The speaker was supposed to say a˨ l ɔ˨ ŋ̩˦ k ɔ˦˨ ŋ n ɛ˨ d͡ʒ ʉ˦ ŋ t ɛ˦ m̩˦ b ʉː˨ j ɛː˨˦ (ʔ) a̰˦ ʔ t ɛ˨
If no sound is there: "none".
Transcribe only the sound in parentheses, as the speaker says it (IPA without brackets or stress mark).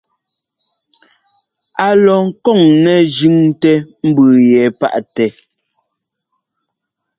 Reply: p